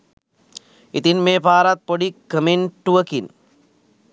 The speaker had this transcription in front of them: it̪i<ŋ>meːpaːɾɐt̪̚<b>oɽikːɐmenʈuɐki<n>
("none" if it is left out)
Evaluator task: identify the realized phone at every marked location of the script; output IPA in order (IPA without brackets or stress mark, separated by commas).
n, p, n